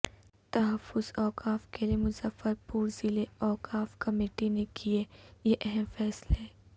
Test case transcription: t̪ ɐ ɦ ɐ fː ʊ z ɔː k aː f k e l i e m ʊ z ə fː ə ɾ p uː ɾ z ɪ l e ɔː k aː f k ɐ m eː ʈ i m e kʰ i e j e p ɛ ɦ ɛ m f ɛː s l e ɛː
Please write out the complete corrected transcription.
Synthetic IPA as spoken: t̪ ɐ ɦ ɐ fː ʊ z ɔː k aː f k e l i e m ʊ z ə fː ə ɾ p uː ɾ z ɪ l e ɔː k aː f k ɐ m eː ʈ i n e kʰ i e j e ʔ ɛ ɦ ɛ m f ɛː s l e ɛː